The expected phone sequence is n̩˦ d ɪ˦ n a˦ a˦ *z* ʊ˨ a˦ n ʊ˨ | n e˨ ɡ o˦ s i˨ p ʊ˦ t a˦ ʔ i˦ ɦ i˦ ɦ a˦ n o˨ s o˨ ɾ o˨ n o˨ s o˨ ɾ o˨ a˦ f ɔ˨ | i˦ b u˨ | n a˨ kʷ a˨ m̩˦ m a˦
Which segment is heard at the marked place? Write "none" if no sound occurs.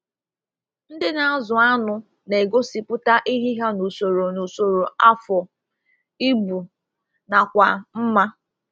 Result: z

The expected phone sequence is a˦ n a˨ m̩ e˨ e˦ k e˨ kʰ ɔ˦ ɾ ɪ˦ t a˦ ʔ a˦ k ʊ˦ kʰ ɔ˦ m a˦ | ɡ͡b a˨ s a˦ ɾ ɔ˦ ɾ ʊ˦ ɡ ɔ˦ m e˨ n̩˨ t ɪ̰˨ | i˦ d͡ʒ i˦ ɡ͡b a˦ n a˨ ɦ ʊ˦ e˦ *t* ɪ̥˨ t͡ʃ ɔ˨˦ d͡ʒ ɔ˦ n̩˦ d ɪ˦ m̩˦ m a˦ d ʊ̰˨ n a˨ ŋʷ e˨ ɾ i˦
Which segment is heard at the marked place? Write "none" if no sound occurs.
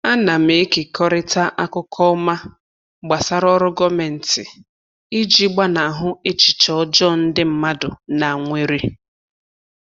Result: t͡ʃ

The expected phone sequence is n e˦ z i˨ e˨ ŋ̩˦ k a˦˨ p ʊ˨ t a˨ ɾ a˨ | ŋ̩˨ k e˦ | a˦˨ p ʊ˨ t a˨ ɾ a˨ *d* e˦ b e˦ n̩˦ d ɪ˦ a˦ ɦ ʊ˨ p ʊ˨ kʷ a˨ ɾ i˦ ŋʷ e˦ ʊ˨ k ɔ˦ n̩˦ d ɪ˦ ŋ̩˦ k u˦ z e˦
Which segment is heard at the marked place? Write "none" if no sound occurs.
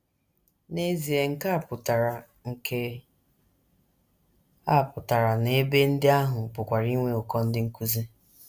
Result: n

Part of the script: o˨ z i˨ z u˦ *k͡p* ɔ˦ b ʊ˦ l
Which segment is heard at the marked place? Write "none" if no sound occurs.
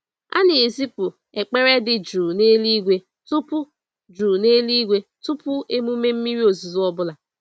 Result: none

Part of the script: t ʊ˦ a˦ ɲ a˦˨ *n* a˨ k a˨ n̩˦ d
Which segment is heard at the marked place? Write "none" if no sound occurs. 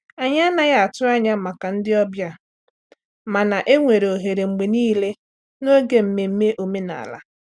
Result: m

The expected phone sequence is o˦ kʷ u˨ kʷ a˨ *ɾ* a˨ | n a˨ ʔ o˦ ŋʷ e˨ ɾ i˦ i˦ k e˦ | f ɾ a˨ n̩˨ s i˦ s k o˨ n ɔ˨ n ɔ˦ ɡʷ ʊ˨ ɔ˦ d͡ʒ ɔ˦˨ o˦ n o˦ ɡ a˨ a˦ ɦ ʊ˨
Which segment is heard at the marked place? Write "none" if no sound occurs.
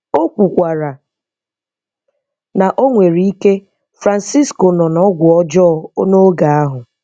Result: ɾ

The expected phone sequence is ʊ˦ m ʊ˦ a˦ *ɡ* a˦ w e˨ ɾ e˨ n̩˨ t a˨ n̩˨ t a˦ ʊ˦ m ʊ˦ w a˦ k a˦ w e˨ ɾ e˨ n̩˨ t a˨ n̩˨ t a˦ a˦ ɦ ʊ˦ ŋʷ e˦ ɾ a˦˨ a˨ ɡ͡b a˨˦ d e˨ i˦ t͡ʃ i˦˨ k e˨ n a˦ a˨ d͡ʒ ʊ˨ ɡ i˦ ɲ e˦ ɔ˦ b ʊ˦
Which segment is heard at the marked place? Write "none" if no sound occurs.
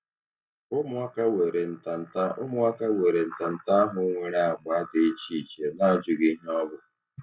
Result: k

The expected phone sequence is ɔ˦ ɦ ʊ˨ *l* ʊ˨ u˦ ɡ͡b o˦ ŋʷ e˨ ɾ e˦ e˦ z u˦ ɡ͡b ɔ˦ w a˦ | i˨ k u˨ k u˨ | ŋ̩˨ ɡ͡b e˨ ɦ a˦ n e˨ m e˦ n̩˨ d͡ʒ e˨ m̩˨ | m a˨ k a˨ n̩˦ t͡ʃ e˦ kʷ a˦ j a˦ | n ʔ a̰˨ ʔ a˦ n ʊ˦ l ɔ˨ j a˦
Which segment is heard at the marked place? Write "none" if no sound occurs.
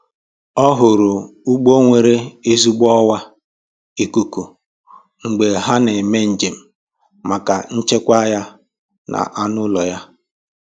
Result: ɾ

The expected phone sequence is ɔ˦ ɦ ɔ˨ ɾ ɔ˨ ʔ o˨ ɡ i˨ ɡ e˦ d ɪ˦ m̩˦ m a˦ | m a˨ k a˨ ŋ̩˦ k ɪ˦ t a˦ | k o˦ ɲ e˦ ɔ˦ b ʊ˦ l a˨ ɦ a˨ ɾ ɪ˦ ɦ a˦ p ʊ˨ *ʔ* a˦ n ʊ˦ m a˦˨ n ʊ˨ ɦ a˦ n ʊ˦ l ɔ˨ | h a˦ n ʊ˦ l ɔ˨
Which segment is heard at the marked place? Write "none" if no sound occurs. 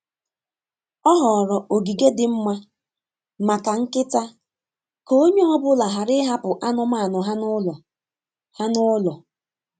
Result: ʔ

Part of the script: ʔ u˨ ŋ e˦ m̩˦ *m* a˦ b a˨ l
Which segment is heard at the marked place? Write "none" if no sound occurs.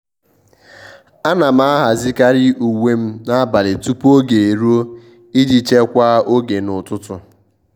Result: n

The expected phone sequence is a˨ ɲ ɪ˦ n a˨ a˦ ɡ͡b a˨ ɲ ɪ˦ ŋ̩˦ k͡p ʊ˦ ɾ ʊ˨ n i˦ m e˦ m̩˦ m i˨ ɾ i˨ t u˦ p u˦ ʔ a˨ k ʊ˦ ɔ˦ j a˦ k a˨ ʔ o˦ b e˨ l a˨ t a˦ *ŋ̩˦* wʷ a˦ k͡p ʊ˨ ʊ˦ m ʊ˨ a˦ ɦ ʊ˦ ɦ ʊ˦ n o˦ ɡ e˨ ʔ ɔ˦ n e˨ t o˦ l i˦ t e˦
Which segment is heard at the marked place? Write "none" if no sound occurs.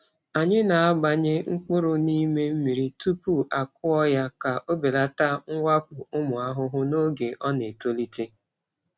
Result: ŋ̩˦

